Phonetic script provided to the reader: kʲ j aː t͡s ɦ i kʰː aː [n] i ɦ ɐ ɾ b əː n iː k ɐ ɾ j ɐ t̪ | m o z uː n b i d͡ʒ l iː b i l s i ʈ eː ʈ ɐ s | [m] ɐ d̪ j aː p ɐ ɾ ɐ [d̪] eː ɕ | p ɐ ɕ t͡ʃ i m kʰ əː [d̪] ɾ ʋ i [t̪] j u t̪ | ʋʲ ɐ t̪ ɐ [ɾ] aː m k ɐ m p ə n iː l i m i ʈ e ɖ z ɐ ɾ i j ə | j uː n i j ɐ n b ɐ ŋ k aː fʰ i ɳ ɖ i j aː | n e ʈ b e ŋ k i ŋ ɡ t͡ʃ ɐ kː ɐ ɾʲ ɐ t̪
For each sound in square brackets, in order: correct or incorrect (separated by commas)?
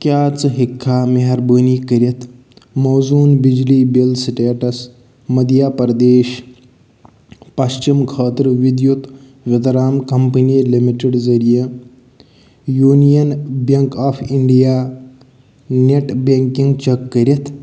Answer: incorrect, correct, correct, incorrect, incorrect, correct